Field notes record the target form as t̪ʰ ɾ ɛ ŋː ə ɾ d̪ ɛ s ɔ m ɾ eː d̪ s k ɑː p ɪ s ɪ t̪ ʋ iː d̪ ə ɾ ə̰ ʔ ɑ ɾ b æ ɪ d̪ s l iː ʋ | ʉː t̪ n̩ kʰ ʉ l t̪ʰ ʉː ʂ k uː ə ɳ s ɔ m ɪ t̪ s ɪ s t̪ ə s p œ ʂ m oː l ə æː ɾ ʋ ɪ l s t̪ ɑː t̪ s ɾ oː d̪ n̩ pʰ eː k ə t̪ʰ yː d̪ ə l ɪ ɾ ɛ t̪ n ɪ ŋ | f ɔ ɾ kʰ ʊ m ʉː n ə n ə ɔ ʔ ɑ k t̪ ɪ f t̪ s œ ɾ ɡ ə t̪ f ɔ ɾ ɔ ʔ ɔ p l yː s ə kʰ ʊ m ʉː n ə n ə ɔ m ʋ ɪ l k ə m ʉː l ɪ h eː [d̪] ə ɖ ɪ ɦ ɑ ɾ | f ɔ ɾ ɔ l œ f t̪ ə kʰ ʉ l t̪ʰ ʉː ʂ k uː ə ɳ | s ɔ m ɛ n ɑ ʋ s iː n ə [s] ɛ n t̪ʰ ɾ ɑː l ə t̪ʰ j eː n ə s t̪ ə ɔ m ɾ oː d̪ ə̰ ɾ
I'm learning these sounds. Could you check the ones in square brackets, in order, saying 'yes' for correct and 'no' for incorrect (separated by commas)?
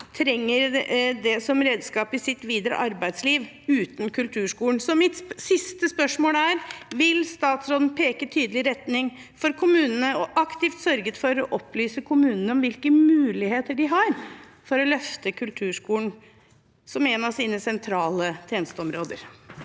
no, yes